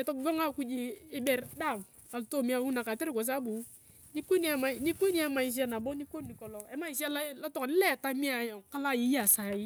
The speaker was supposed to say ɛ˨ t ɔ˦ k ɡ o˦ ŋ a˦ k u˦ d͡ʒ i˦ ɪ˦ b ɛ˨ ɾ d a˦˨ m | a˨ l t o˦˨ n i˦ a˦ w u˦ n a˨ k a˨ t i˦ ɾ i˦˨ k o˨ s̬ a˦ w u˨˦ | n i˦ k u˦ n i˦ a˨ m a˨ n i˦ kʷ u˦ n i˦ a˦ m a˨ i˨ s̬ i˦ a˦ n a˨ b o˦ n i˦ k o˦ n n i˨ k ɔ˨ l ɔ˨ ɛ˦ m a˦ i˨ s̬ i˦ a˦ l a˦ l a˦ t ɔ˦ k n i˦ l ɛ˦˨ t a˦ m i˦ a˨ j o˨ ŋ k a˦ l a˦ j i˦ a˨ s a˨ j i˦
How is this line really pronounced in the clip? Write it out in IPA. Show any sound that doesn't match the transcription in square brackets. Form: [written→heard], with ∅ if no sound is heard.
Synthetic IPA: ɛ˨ t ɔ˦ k ɡ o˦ ŋ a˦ k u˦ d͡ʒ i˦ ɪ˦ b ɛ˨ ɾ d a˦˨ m | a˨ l t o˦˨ [n→m] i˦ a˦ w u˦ n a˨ k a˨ t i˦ ɾ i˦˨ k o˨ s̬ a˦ [w→b] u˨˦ | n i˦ k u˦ n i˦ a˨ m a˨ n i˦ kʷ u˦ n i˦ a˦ m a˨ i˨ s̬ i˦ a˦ n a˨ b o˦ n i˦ k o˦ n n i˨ k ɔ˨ l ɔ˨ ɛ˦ m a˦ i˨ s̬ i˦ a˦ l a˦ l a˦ t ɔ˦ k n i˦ l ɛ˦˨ t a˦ m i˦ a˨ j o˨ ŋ k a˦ l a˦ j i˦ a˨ s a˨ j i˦